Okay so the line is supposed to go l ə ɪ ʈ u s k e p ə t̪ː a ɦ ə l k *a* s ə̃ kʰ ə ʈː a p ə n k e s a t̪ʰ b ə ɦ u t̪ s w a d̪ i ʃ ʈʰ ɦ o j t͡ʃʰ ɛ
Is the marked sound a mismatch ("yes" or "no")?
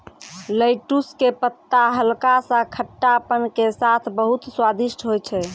no